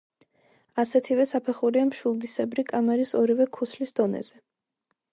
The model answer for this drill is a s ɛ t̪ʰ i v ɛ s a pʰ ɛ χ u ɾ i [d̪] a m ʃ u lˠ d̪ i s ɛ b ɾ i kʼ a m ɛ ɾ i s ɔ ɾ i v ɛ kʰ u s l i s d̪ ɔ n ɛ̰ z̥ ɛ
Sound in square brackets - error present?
yes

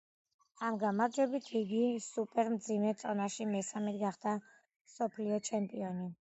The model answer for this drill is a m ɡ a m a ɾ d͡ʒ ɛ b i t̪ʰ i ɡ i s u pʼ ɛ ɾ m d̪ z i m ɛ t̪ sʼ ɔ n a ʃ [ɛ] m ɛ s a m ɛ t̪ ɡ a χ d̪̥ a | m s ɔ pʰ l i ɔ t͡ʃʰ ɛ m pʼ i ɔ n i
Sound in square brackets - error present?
yes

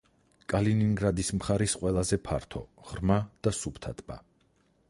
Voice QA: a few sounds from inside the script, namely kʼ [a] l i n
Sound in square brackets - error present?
no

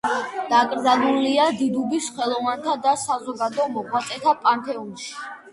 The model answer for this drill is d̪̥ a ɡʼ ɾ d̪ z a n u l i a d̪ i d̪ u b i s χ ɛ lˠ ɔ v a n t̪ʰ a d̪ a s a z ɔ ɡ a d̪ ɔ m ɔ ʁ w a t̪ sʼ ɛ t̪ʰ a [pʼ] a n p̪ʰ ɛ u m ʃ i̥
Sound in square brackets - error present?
no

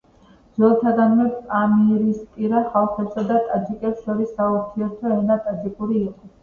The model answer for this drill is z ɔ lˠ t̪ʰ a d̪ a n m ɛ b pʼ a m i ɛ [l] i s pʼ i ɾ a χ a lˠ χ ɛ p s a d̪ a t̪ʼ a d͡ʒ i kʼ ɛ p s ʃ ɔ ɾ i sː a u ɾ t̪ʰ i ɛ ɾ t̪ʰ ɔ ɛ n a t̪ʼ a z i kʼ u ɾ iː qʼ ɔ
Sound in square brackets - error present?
yes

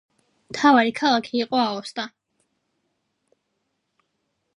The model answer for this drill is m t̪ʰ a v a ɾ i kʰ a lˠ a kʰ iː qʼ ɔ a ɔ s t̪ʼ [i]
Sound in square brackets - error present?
yes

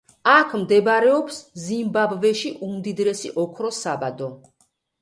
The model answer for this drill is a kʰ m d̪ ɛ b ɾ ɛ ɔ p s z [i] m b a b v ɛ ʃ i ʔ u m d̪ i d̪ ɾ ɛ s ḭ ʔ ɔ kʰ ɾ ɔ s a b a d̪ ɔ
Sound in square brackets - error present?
no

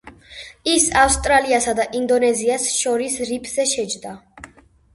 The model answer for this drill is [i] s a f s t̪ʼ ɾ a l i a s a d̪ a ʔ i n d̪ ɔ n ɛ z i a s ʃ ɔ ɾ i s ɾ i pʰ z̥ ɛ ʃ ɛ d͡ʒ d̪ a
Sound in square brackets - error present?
no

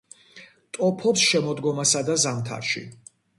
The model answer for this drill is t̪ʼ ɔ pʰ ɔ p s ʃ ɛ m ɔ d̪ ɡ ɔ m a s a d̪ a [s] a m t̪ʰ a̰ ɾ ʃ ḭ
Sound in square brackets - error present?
yes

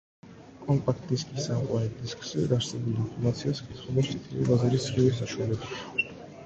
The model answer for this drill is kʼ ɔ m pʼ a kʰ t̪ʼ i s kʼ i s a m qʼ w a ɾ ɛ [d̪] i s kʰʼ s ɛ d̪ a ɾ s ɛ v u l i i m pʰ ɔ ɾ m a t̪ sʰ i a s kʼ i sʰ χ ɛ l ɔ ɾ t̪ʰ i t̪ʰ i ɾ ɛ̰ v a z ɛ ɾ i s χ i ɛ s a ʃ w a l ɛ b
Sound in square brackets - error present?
no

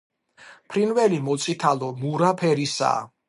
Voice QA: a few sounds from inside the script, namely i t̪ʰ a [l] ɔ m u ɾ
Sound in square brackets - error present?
no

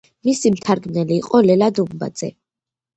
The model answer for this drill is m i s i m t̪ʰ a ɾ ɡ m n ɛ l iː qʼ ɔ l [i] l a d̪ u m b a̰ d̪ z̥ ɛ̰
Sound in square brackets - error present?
yes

